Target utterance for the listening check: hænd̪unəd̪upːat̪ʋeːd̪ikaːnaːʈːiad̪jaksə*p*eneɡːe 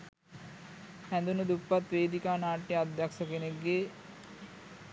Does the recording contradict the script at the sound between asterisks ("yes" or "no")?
yes